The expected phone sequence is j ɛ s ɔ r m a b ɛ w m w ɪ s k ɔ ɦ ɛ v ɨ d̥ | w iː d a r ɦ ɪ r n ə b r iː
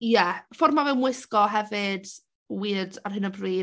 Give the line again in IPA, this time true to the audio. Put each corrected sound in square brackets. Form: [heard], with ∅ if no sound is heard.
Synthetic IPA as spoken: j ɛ [f] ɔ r m a [v] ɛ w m w ɪ s k ɔ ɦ ɛ v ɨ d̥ | w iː d a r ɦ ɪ [∅] n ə b r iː